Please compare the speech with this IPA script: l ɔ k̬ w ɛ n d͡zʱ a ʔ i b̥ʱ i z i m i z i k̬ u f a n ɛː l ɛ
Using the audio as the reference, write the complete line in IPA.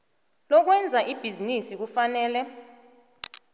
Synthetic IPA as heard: l ɔ k̬ w ɛ n d͡zʱ a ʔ i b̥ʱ i z i n i s i k̬ u f a n ɛː l ɛ